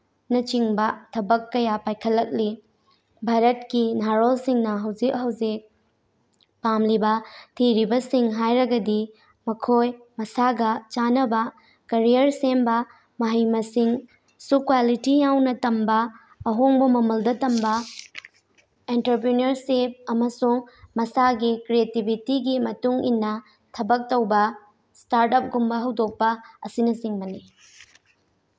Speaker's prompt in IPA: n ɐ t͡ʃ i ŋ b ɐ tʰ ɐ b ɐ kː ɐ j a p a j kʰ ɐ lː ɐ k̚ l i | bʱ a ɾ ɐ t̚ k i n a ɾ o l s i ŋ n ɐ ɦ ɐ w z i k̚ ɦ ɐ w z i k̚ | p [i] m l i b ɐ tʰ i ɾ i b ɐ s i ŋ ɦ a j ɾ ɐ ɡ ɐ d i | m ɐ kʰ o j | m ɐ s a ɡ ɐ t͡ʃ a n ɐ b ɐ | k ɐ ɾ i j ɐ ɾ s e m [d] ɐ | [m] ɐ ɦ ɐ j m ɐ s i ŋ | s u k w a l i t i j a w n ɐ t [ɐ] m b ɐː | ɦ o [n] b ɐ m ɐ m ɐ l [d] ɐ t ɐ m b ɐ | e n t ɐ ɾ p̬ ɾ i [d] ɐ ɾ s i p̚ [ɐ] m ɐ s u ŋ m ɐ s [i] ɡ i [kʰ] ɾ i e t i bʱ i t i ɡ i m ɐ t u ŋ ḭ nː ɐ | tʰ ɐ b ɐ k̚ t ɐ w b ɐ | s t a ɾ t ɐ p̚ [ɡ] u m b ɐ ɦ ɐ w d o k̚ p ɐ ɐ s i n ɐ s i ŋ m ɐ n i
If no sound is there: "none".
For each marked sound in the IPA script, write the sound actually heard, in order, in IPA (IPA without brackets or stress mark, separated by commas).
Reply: a, b, m, ɐ, ŋ, d, n, ɐ, a, k, ɡ